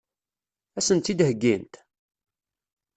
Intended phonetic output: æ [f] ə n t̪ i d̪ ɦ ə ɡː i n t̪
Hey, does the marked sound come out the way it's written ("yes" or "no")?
no